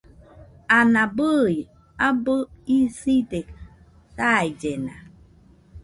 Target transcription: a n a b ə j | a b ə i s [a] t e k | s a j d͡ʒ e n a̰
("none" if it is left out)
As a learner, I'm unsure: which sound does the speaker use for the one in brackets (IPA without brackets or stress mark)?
i